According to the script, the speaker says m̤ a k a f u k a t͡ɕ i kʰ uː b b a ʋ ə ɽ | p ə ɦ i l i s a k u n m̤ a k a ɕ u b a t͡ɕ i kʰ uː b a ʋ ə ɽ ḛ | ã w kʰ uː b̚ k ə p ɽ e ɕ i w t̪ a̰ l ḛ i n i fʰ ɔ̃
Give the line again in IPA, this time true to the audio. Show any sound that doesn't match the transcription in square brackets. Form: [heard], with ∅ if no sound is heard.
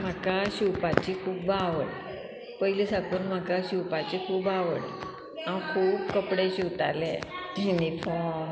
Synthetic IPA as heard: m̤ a k a [ɕ] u [p] a t͡ɕ i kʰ uː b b a ʋ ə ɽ | p ə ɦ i l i s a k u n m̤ a k a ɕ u [p] a t͡ɕ i kʰ uː b a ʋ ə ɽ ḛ | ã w kʰ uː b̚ k ə p ɽ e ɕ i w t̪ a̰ l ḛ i n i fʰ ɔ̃